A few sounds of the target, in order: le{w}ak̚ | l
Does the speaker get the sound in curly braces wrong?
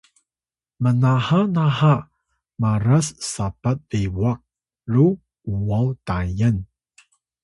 no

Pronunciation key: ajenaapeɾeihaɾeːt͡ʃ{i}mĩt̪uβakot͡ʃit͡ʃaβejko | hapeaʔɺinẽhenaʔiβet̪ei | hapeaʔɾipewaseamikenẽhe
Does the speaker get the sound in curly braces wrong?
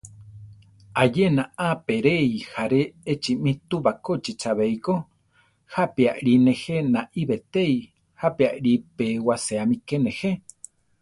no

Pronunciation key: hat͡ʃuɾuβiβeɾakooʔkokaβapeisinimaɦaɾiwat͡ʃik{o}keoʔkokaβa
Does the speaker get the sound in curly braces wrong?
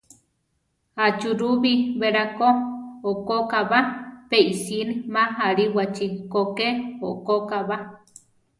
no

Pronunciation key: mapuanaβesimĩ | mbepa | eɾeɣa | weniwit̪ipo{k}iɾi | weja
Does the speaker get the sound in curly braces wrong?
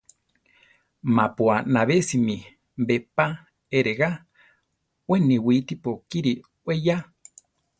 no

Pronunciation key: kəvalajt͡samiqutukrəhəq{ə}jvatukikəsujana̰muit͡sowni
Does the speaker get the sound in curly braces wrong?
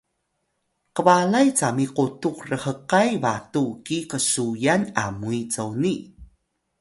yes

